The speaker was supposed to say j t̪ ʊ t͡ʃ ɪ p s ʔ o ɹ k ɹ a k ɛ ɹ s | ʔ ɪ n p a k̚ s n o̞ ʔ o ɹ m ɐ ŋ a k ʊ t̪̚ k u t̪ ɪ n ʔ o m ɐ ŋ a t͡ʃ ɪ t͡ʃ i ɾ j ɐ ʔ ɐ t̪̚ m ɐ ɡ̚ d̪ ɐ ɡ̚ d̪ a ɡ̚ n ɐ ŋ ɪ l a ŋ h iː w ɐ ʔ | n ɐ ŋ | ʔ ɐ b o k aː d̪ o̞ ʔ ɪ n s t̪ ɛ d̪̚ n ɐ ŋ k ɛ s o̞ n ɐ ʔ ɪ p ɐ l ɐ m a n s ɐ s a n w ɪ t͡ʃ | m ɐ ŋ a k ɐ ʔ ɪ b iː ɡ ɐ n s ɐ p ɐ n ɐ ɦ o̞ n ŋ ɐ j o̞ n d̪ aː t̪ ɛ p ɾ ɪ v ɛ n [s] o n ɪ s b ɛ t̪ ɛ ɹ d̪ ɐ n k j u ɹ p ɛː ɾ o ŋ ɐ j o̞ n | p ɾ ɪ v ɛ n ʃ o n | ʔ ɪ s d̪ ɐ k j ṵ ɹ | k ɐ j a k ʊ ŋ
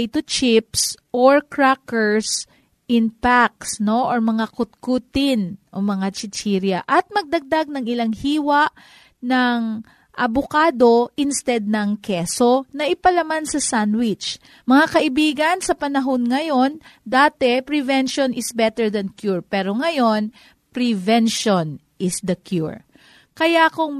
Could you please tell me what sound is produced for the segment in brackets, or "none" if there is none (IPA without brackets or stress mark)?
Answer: ʃ